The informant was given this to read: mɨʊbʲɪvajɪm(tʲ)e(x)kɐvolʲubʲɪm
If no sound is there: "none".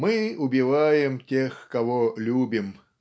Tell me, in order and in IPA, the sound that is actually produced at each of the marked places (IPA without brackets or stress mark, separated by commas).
tʲ, x